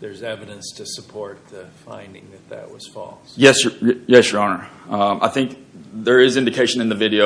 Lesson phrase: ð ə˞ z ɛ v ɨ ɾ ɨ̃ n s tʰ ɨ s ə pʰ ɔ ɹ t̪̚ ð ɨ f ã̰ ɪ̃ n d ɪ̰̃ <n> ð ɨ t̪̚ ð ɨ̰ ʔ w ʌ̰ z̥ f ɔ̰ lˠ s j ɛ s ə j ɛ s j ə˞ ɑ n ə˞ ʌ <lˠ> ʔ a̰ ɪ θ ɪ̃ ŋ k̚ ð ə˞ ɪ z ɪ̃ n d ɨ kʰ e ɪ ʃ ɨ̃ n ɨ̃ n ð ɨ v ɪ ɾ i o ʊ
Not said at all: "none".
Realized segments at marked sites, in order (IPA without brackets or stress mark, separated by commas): ŋ, none